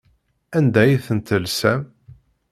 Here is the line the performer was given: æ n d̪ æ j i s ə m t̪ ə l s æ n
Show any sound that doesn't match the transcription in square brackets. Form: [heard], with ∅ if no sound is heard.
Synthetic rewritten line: æ n d̪ æ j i [θ] ə [n] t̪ ə l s æ [m]